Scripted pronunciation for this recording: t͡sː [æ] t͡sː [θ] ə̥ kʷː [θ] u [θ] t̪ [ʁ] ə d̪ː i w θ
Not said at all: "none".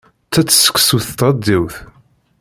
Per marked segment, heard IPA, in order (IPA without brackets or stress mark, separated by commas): æ, s, s, θ, ʁ